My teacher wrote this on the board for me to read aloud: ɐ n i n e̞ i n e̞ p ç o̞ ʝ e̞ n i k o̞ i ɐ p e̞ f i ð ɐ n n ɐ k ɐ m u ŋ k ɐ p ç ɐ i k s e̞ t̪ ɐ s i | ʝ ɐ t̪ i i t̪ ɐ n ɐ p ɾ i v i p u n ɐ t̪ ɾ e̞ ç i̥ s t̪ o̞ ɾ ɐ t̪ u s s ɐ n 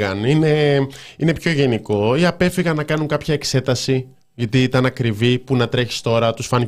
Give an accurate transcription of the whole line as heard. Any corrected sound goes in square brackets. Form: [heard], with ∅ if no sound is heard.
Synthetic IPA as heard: ɐ n i n e̞ i n e̞ p ç o̞ ʝ e̞ n i k o̞ i ɐ p e̞ f i [ɣ] ɐ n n ɐ k ɐ [n] u ŋ k ɐ p ç ɐ [e] k s e̞ t̪ ɐ s i | ʝ ɐ t̪ i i t̪ ɐ n ɐ [k] ɾ i v i p u n ɐ t̪ ɾ e̞ ç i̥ s t̪ o̞ ɾ ɐ t̪ u s [f] ɐ n